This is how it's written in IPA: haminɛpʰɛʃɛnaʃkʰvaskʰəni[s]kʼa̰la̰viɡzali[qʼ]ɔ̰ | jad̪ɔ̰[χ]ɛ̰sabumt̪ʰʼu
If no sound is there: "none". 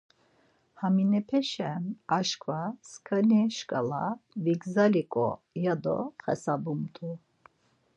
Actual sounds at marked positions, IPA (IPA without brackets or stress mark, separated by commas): ʃ, kʼ, χ